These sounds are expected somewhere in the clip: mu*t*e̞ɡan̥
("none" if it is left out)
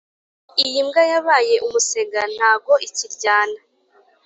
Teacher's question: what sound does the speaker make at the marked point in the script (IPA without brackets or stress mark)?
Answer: s